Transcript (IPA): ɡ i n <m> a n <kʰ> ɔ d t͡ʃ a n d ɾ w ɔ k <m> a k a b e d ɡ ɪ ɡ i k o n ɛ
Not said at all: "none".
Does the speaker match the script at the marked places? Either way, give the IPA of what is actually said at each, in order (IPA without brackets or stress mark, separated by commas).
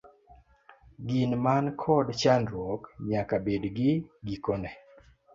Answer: m, kʰ, ɲ